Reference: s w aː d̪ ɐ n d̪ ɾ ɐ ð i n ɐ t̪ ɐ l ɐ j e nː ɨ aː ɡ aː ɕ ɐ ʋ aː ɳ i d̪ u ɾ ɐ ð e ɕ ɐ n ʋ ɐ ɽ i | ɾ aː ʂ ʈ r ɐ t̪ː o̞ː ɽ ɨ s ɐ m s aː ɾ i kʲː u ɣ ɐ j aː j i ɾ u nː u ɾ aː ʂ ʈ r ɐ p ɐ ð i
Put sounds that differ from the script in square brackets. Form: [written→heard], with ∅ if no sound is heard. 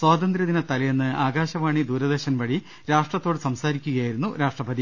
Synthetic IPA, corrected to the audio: s w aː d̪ ɐ n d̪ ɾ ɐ ð i n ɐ t̪ ɐ l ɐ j e nː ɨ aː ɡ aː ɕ ɐ ʋ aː ɳ i d̪ [u→uː] ɾ ɐ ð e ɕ ɐ n ʋ ɐ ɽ i | ɾ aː ʂ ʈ r ɐ t̪ː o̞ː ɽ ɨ s ɐ m s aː ɾ i kʲː u ɣ ɐ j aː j i ɾ u nː u ɾ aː ʂ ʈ r ɐ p ɐ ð i